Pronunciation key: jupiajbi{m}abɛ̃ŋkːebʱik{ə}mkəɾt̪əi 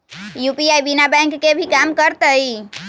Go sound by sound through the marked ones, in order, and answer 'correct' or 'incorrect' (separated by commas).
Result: incorrect, incorrect